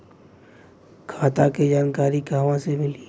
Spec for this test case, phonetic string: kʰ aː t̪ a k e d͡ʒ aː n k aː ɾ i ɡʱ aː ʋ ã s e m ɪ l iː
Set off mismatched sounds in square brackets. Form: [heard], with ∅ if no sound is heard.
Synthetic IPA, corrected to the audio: kʰ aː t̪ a k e d͡ʒ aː n k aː ɾ i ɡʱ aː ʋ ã s e m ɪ l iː